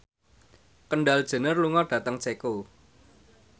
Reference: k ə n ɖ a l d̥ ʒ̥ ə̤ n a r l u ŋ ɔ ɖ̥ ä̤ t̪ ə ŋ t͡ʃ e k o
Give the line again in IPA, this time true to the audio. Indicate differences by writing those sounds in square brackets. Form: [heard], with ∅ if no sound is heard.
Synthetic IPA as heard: k ə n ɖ a l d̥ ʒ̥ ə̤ n [ə] r l u ŋ ɔ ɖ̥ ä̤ t̪ ə ŋ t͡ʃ e k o